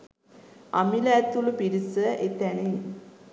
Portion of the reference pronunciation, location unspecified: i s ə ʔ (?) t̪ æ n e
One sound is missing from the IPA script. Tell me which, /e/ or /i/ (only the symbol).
e